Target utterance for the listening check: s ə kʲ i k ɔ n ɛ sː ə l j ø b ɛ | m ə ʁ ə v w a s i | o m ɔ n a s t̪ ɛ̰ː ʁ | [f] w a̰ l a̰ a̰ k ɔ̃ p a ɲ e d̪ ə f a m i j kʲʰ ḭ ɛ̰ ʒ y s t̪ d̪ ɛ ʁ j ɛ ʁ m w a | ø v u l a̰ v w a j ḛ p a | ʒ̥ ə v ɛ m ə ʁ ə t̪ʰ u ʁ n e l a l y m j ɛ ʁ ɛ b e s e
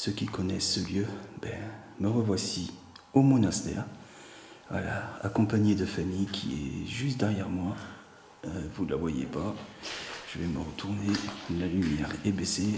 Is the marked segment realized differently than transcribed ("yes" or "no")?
yes